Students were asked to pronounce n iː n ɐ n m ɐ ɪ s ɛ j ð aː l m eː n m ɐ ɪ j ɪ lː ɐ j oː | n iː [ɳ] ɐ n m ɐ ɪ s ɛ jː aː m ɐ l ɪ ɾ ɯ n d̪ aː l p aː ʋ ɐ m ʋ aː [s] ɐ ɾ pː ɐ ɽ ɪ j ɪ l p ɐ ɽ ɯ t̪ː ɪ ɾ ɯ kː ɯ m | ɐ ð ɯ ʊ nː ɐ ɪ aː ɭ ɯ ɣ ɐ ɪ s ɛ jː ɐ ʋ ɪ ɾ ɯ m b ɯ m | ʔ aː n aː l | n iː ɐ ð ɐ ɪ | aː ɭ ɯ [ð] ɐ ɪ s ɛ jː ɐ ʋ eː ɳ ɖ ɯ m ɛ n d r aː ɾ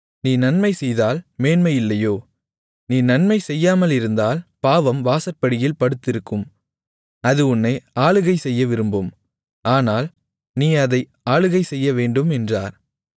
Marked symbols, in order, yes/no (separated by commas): no, yes, no